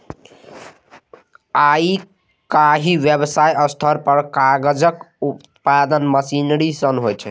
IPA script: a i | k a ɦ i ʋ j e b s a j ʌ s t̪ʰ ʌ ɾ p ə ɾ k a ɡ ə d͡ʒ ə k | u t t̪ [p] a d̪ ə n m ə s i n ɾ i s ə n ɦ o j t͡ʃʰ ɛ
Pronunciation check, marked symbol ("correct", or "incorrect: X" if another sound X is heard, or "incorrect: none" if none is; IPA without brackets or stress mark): correct